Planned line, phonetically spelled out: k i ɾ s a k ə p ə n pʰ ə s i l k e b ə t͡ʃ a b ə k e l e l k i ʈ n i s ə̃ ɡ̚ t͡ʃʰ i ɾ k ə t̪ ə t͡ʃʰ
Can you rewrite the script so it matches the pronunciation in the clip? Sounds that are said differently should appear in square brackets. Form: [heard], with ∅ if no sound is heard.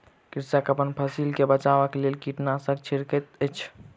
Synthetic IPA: k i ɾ s a k ə p ə n pʰ ə s i l k e b ə t͡ʃ a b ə k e l e l k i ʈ n [a] s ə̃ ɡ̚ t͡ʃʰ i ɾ k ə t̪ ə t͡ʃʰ

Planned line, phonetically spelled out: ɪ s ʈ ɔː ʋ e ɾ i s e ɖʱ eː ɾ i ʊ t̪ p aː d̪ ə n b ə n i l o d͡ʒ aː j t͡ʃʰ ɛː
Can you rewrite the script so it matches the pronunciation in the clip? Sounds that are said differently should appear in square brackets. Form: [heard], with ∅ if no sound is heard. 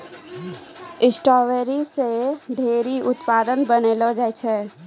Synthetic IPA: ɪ s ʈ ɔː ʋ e ɾ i s e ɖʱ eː ɾ i ʊ t̪ p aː d̪ ə n b ə n [e] l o d͡ʒ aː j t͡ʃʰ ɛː

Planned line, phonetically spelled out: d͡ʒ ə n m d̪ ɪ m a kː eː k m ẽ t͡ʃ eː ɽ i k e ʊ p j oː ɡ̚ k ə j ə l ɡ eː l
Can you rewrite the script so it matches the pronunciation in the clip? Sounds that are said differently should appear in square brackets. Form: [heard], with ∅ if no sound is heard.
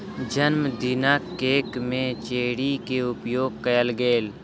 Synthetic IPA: d͡ʒ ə n m d̪ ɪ [n] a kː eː k m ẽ t͡ʃ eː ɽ i k e ʊ p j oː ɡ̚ k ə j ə l ɡ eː l

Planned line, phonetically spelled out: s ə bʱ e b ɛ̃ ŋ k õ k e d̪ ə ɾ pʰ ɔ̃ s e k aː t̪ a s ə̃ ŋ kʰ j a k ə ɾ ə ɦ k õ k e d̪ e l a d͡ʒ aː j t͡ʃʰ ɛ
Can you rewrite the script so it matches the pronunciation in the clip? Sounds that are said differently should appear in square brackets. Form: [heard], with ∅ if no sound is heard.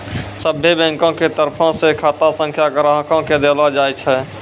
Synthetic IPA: s ə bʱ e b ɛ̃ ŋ k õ k e [t̪] ə ɾ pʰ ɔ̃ s e [kʰ] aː t̪ a s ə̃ ŋ kʰ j a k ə ɾ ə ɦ k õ k e d̪ e l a d͡ʒ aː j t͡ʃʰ ɛ

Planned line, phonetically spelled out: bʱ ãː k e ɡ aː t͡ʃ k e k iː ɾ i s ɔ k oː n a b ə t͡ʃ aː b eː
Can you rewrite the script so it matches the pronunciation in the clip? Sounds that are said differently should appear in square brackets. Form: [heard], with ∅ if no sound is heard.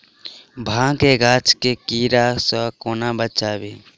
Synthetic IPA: bʱ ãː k e ɡ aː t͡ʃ k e k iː ɾ [a] s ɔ k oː n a b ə t͡ʃ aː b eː

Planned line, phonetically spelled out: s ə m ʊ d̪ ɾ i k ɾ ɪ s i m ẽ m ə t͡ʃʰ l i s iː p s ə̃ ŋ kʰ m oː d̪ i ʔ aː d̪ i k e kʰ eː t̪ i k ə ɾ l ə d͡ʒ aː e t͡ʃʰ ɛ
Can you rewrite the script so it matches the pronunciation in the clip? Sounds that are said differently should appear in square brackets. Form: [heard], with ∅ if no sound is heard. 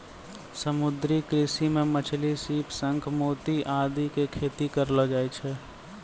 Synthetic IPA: s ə m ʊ d̪ ɾ i k ɾ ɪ s i m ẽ m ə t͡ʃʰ l i s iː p s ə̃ ŋ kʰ m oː [t̪] i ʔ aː d̪ i k e kʰ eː t̪ i k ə ɾ l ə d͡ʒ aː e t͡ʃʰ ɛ

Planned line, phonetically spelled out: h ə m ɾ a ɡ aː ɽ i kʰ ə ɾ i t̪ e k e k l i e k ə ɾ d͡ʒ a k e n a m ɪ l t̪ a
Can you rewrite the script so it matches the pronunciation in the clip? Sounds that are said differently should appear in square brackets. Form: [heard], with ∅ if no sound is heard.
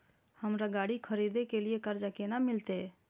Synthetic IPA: h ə m ɾ a ɡ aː ɽ i kʰ ə ɾ i [d̪] e k e [∅] l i e k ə ɾ d͡ʒ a k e n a m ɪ l t̪ [e]

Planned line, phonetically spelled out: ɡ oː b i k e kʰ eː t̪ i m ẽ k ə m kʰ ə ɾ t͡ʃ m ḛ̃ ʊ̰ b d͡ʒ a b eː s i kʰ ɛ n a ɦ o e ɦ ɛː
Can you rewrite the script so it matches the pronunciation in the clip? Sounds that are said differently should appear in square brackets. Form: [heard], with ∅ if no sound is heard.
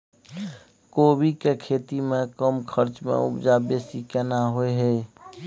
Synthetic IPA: [k] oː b i k e kʰ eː t̪ i m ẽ k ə m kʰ ə ɾ t͡ʃ m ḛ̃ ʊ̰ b d͡ʒ a b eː s i [k] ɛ n a ɦ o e ɦ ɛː

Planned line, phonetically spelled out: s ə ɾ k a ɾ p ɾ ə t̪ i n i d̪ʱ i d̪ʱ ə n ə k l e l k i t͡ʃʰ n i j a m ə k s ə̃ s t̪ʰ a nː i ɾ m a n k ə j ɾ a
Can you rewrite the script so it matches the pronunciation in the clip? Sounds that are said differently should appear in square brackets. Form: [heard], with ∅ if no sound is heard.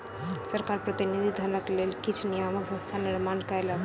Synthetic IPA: s ə ɾ k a ɾ p ɾ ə t̪ i n i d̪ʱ i d̪ʱ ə n ə k l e l k i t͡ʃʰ n i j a m ə k s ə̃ s t̪ʰ a [n] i ɾ m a n k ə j [l] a

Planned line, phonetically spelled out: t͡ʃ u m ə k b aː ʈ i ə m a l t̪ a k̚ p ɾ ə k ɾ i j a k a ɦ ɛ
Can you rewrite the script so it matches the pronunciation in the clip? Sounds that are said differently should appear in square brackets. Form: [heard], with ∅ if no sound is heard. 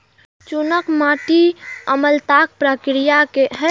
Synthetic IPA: t͡ʃ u [n] ə k [m] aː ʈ i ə m [ə] l t̪ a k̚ p ɾ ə k ɾ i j a k [e] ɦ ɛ

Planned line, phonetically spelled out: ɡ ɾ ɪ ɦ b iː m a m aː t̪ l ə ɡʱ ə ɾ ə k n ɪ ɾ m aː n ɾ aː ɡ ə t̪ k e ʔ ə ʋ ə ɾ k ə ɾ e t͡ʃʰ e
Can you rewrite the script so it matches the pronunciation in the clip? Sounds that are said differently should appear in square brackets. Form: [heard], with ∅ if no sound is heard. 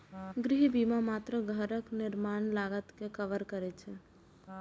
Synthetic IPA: ɡ ɾ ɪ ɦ b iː m a m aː t̪ [ɾ] ə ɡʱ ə ɾ ə k n ɪ ɾ m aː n [l] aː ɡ ə t̪ k e [k] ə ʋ ə ɾ k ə ɾ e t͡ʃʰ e

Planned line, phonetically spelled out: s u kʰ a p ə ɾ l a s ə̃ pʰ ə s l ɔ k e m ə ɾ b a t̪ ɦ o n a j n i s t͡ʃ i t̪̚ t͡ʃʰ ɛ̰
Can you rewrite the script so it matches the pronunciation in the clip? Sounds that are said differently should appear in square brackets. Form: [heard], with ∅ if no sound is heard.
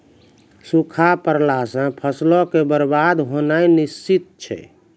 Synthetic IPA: s u kʰ a p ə ɾ l a s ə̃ pʰ ə s l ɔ k e [b] ə ɾ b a [d̪] ɦ o n a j n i s t͡ʃ i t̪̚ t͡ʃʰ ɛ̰

